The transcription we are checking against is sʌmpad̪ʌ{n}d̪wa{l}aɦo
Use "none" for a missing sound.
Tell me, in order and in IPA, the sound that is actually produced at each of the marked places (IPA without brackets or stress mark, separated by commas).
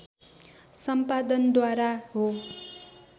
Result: n, ɾ